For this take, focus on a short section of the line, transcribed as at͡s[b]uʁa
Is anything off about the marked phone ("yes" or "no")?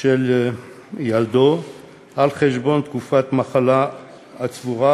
yes